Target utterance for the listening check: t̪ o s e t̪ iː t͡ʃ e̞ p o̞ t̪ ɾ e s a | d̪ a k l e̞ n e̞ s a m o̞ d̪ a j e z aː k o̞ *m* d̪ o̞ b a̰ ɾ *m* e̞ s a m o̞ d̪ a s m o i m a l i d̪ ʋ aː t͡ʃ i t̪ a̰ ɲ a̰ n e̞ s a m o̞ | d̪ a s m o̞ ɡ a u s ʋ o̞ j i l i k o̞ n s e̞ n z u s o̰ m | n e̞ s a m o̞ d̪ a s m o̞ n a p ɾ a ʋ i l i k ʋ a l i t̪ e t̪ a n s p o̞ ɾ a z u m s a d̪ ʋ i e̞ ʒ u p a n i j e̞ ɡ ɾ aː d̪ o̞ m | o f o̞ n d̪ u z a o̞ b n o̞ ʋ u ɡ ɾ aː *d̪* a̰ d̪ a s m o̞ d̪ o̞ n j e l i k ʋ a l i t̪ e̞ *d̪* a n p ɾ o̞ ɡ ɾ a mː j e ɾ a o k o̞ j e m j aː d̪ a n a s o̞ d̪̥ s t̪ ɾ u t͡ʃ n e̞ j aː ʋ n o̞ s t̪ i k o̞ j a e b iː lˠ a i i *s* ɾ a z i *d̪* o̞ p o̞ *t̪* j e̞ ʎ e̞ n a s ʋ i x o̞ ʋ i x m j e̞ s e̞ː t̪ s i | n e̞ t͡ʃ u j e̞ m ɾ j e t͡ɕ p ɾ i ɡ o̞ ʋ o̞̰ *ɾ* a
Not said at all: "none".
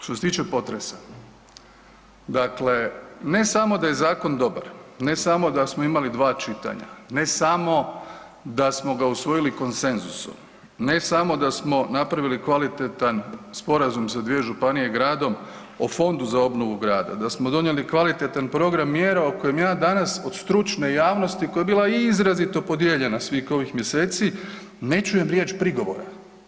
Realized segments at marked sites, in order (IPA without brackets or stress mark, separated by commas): n, n, d̪, t̪, z, t̪, d̪, ɾ